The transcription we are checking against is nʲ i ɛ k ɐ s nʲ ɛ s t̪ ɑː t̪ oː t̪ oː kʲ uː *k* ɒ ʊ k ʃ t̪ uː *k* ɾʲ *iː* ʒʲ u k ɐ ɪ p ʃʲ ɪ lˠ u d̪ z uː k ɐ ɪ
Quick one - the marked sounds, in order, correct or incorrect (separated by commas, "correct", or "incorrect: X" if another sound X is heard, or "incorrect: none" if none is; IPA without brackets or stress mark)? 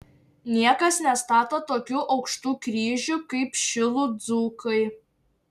incorrect: ʔ, correct, correct